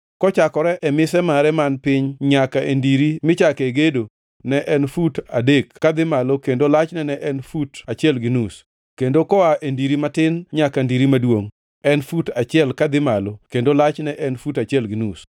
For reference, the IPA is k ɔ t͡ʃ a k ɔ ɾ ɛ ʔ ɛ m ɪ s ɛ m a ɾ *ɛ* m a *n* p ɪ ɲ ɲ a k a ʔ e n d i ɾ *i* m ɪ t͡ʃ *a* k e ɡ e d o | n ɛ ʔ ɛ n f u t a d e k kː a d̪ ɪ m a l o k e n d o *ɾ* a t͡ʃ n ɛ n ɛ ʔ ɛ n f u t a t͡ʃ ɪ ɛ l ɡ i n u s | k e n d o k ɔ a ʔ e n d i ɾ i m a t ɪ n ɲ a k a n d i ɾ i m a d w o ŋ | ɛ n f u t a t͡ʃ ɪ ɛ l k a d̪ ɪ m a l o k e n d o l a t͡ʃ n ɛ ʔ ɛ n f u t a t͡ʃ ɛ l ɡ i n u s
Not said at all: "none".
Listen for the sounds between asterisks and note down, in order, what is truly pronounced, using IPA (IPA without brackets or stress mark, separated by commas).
ɛ, n, i, a, l